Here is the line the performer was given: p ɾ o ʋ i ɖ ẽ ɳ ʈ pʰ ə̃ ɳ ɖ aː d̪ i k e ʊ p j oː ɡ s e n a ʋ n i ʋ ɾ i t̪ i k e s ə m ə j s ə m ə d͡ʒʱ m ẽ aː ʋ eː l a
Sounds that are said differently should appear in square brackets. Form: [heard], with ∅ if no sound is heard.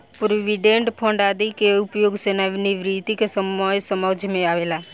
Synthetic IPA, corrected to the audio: p ɾ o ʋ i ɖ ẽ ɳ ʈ pʰ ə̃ ɳ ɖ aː d̪ i k e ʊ p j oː ɡ s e n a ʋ n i ʋ ɾ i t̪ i k e s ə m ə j s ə m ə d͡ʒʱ m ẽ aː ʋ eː l a